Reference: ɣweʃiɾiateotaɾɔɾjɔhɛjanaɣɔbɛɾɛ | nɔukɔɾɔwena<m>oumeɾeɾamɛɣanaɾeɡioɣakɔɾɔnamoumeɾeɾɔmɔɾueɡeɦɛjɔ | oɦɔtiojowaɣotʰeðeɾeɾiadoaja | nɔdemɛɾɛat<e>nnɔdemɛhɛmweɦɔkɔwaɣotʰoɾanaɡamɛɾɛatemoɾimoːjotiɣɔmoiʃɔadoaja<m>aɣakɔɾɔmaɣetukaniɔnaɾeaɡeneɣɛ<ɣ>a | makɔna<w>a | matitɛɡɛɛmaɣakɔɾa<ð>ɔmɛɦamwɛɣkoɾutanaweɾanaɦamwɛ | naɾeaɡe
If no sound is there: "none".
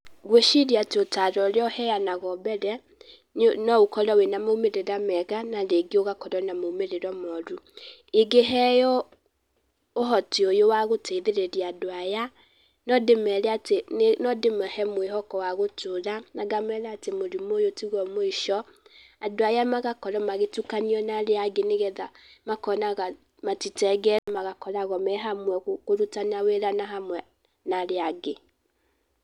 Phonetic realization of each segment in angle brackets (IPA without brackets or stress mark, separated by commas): m, e, m, ð, ɣ, ɣ